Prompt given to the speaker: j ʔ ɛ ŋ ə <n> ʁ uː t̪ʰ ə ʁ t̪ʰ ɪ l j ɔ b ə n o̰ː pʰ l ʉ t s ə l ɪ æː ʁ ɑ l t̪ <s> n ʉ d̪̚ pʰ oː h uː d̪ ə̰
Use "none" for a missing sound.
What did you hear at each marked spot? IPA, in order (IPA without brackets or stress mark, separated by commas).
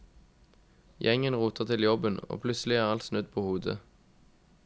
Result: n, s